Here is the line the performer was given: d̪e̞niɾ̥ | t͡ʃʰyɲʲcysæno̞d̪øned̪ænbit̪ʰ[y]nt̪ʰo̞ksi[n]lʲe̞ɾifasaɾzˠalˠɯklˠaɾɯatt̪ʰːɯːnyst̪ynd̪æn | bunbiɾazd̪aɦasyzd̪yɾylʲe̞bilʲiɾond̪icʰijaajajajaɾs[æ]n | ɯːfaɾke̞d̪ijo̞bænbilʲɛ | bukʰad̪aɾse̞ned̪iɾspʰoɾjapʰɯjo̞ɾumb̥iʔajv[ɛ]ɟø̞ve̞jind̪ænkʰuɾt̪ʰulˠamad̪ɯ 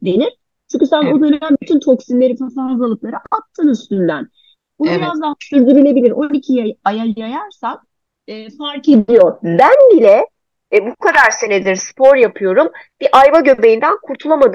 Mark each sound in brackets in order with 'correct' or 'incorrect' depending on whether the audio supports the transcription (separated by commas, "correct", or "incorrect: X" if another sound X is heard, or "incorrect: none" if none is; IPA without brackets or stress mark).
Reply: correct, correct, incorrect: a, incorrect: a